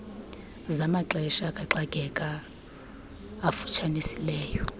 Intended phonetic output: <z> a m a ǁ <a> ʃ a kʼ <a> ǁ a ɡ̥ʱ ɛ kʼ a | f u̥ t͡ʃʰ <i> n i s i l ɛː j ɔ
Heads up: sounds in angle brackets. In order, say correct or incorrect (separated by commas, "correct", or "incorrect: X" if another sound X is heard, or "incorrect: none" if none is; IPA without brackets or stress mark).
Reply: correct, incorrect: ɛ, correct, incorrect: a